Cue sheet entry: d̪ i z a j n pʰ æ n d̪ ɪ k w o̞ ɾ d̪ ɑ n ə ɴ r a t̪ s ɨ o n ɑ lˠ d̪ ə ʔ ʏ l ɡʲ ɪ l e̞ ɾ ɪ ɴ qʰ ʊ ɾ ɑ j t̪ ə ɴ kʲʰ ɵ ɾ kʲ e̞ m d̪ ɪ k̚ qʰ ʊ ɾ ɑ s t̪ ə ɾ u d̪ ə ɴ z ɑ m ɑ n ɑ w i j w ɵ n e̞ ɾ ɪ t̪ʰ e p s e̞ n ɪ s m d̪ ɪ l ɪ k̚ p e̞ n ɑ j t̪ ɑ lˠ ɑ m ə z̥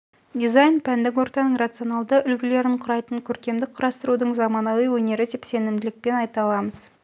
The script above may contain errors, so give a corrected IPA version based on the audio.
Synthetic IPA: d̪ i z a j n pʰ æ n d̪ ɪ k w o̞ ɾ t̪ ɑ n ə ɴ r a t̪ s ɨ o n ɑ lˠ d̪ ə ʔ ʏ l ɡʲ ɪ l e̞ ɾ ɪ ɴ qʰ ʊ ɾ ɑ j t̪ ə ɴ kʲʰ ɵ ɾ kʲ e̞ m d̪ ɪ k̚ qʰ ʊ ɾ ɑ s t̪ ə ɾ u d̪ ə ɴ z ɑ m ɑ n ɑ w i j w ɵ n e̞ ɾ ɪ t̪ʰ e p s e̞ n ɪ m d̪ ɪ l ɪ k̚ p e̞ n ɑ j t̪ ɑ lˠ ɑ m ə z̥